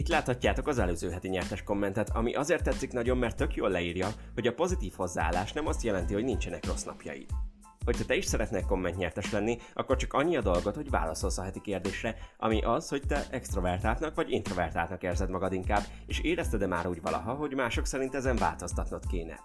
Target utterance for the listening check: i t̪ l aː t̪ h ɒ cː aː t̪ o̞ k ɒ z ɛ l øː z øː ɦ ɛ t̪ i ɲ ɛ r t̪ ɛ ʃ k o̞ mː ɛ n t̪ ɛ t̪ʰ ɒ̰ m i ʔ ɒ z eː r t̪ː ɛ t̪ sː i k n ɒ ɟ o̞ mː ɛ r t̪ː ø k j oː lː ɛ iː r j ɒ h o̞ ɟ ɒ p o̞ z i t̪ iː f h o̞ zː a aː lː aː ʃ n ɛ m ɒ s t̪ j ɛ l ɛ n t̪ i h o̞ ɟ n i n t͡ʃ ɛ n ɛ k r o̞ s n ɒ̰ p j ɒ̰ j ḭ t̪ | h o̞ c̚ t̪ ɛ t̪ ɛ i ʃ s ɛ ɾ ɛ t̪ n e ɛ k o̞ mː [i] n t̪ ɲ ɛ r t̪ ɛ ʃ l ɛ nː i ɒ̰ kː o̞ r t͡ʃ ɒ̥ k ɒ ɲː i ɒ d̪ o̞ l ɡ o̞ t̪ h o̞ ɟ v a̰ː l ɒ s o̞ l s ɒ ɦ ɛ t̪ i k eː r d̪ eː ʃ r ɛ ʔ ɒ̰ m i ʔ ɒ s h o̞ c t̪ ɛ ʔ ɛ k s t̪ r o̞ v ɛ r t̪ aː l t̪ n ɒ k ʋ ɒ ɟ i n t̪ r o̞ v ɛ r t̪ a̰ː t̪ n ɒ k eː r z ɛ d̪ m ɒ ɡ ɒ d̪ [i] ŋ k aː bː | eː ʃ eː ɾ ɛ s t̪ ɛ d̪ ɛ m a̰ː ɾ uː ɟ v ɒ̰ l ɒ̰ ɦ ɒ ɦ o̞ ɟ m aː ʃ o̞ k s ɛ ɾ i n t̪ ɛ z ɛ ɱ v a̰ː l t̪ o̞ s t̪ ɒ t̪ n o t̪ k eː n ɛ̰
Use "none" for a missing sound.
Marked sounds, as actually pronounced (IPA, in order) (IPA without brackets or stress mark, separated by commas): ɛ, i